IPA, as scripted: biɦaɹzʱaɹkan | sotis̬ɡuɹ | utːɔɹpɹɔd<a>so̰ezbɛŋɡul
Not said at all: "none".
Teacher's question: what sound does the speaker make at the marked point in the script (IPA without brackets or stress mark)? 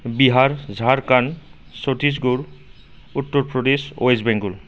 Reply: e